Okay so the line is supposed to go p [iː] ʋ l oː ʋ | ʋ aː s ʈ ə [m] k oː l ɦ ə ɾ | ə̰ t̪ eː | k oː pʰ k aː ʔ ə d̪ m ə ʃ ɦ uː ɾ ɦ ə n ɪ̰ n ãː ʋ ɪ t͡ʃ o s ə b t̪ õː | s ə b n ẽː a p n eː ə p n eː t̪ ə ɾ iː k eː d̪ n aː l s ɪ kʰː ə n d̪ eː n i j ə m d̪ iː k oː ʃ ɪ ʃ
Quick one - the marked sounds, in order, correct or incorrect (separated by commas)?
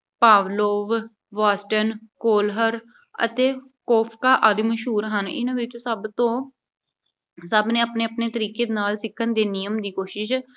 incorrect, incorrect